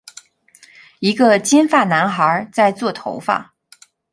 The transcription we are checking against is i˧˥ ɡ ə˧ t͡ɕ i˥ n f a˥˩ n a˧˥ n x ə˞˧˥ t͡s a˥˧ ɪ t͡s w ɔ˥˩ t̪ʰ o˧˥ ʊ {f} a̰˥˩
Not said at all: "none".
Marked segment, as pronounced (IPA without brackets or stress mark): f